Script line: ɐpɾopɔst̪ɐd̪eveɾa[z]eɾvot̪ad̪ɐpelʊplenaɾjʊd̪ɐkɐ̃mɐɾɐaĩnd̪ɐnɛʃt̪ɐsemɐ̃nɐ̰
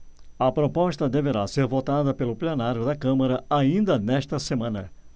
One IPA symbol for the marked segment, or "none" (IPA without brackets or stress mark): s